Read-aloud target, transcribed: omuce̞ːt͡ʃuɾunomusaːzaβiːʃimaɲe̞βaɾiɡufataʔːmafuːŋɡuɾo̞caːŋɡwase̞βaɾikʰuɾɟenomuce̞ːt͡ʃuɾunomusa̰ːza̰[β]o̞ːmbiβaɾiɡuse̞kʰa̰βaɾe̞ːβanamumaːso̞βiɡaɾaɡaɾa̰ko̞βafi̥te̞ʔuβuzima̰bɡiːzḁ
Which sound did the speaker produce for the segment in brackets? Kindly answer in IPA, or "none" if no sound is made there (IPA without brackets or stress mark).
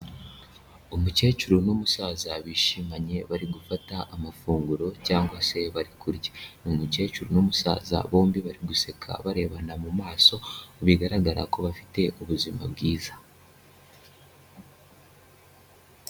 β